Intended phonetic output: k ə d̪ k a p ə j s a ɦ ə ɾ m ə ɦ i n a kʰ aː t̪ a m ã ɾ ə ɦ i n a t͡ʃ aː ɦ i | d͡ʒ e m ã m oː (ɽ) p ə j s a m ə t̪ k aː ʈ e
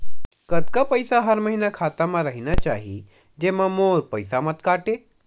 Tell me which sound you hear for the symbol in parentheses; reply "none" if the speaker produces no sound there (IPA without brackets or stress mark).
ɾ